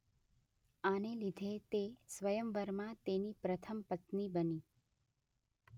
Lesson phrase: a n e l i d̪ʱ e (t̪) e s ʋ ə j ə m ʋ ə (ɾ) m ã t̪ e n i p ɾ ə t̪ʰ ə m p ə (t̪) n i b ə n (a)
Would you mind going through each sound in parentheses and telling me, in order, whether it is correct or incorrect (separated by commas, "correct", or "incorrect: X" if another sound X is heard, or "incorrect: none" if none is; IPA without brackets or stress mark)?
correct, correct, correct, incorrect: i